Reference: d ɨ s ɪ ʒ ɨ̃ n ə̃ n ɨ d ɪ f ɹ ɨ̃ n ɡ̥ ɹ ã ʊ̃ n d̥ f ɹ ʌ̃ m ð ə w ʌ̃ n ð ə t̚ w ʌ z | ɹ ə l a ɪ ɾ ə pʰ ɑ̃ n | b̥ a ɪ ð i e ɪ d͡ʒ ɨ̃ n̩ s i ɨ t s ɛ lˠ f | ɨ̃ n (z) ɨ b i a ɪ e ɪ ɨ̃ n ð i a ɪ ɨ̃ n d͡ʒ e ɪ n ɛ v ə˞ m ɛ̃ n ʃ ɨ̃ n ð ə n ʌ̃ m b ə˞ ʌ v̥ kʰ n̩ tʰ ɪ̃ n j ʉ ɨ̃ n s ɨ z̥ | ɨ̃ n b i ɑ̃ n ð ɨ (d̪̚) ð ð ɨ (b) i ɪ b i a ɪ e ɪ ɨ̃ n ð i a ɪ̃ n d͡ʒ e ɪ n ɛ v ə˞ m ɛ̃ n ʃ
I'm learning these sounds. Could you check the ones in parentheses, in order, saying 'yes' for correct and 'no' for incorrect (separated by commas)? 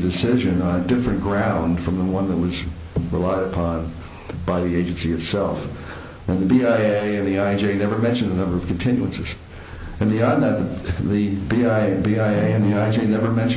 no, no, yes